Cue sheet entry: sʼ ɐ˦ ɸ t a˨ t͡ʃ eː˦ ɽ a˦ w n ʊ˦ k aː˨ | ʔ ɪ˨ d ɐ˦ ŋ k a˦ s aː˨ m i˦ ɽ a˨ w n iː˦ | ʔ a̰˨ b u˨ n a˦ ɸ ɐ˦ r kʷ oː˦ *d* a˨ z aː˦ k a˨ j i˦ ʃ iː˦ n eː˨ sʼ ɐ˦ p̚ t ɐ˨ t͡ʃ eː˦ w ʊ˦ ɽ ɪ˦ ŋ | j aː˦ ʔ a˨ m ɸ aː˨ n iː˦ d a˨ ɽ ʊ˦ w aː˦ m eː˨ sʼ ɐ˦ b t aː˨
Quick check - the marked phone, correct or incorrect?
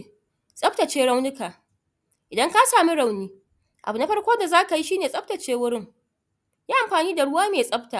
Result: correct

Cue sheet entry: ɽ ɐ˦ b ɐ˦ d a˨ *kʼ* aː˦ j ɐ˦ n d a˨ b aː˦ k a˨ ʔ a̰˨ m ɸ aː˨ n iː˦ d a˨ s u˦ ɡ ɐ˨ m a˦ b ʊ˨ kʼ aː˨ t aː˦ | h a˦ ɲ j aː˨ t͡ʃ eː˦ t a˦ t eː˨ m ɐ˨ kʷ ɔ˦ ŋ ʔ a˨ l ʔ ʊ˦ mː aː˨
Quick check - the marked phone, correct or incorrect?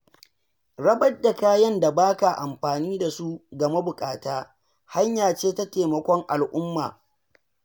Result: incorrect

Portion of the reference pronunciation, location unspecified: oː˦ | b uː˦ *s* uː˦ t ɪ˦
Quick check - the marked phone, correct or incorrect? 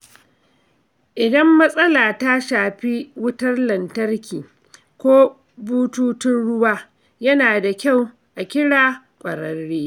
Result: incorrect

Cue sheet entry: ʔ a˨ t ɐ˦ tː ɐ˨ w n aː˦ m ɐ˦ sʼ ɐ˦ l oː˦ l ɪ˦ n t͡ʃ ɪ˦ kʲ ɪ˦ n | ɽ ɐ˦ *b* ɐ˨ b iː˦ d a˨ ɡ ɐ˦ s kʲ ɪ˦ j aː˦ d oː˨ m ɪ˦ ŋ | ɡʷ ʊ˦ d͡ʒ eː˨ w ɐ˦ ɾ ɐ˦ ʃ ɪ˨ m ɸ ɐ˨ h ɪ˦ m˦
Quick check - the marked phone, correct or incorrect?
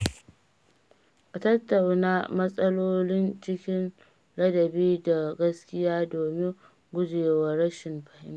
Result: incorrect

